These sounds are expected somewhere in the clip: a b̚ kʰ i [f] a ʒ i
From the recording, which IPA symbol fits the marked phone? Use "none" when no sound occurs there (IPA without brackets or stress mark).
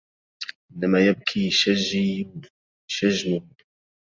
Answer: ʃ